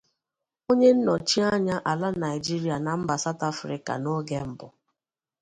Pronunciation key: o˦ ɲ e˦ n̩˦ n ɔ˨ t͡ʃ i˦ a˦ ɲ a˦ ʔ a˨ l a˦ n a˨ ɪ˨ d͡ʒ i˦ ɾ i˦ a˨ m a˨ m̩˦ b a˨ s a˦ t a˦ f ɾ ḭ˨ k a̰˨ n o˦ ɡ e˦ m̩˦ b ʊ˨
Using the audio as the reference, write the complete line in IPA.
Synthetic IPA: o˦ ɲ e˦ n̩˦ n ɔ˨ t͡ʃ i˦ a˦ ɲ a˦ ʔ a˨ l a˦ n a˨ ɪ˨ d͡ʒ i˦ ɾ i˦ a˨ n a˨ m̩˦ b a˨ s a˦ t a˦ f ɾ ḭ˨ k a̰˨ n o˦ ɡ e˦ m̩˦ b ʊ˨